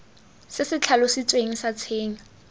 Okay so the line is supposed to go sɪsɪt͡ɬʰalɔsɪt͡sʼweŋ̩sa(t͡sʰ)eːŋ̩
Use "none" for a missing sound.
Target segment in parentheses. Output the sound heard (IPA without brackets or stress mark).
t͡sʰ